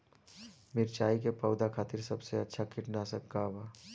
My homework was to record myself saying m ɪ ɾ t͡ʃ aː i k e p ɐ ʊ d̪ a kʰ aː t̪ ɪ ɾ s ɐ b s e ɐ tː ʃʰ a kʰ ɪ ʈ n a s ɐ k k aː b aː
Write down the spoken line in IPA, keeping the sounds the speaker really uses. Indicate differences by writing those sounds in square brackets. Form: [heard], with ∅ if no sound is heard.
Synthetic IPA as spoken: m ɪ ɾ t͡ʃ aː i k e p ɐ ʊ d̪ a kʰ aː t̪ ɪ ɾ s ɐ b s e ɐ tː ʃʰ a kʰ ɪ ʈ n a s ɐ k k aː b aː